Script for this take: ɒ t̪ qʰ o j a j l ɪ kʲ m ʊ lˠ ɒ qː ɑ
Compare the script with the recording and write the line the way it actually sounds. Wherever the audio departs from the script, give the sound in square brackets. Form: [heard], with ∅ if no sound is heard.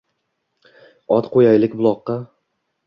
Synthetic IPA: ɒ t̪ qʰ o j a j l ɪ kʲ [b] ʊ lˠ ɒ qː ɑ